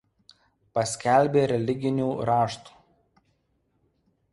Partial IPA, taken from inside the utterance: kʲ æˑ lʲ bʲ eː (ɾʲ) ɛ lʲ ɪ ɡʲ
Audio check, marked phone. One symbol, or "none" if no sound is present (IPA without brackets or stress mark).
ɾʲ